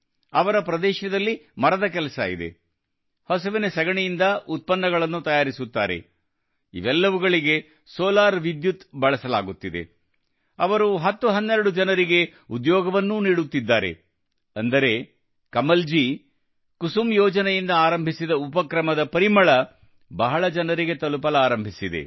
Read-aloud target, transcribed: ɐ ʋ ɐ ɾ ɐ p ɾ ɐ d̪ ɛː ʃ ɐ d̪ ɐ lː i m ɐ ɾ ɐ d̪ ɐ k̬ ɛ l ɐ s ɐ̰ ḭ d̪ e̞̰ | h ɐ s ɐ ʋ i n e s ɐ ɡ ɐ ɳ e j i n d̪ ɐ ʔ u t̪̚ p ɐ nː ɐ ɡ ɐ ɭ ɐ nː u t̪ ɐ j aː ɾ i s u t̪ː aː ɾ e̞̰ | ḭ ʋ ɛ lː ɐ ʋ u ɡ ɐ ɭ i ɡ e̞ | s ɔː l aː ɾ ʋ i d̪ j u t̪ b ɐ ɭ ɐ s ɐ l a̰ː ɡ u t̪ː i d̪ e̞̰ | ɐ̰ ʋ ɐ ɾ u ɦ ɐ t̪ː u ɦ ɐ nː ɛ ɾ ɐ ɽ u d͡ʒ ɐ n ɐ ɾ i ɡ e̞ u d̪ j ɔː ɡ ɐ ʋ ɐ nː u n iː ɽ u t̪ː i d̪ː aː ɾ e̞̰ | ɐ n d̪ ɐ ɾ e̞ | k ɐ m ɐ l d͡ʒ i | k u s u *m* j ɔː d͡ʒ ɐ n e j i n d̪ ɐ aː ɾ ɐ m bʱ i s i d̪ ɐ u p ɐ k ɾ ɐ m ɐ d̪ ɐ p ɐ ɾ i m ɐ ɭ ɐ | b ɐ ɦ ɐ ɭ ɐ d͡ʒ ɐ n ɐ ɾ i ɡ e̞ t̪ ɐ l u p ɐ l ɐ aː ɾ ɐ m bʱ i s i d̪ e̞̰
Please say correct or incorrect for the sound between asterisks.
correct